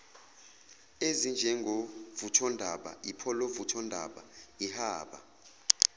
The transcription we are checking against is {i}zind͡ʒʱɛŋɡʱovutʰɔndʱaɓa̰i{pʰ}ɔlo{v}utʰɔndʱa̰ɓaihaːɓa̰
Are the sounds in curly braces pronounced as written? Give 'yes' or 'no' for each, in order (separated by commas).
no, yes, yes